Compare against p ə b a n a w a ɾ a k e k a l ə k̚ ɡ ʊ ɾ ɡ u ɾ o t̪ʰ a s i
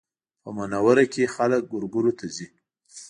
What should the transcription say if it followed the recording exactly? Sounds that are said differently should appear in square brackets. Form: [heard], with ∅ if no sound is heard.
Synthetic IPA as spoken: p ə [m] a n a w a ɾ a k e [x] a l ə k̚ ɡ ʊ ɾ ɡ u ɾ o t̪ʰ a [z] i